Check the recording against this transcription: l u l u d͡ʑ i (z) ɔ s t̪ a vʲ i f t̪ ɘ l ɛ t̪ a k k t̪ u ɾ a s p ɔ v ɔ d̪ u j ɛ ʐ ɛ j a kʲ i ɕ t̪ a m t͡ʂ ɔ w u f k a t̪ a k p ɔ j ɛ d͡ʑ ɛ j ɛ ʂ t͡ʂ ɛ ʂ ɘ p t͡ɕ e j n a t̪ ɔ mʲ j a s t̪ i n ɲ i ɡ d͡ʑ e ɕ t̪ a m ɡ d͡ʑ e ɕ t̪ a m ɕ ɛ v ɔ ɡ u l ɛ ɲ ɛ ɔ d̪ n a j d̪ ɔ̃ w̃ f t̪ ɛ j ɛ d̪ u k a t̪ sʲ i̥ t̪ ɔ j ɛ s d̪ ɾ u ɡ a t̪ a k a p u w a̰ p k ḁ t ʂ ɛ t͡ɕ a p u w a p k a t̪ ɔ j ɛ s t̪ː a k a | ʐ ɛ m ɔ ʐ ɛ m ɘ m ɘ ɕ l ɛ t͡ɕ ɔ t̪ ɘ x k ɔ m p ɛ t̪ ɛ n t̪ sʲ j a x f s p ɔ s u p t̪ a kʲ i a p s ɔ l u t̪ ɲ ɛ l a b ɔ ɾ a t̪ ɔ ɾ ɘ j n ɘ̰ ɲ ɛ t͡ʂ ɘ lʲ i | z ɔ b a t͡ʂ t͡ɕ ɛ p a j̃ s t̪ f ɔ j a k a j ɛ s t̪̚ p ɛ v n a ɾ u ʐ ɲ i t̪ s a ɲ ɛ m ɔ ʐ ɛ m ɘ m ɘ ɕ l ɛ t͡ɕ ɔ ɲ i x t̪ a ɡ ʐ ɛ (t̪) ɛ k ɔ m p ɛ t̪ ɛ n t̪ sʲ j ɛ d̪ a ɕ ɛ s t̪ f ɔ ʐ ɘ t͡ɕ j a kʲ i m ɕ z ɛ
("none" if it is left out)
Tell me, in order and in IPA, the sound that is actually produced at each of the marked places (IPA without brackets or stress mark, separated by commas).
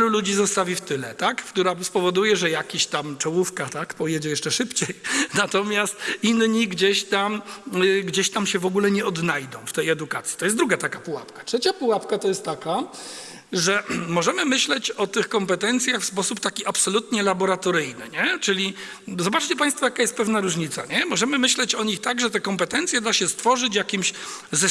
z, t̪